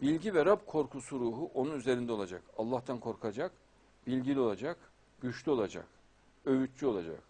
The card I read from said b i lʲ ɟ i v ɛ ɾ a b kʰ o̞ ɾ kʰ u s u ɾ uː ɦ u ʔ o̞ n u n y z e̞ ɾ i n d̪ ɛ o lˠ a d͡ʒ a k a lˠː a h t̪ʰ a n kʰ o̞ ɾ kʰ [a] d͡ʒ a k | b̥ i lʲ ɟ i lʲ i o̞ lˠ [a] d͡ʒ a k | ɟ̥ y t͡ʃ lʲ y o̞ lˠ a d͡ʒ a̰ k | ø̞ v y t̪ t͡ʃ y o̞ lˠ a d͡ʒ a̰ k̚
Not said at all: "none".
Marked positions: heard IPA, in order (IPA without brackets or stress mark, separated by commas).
a, a